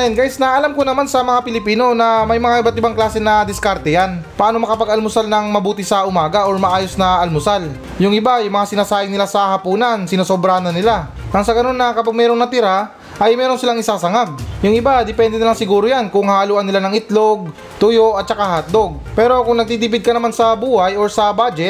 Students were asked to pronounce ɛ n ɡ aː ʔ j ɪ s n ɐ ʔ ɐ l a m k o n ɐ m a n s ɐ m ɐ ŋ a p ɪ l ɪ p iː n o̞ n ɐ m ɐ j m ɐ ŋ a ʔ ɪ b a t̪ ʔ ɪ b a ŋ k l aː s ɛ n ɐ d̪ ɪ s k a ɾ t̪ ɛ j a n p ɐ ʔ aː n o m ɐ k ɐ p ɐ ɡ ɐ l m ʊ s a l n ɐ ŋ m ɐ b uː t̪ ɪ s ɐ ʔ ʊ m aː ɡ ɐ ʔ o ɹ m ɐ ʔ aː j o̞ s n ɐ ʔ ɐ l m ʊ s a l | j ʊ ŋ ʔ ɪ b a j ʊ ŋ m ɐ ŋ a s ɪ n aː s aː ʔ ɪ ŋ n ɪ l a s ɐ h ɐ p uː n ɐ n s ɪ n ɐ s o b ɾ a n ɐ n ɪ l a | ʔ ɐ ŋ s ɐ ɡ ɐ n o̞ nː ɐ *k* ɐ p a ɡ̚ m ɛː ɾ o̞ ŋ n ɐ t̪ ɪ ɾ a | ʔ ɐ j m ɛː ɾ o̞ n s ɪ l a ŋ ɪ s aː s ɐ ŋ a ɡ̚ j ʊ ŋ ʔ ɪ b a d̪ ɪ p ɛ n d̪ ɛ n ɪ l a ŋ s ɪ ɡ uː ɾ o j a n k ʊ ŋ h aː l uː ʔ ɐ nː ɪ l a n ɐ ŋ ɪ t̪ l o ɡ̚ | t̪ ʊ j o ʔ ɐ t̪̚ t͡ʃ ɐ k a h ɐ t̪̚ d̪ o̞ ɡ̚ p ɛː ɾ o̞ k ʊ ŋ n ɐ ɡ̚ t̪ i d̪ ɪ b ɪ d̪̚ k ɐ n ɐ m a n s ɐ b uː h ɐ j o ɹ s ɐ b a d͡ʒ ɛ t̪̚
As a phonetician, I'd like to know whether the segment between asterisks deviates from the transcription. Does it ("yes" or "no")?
no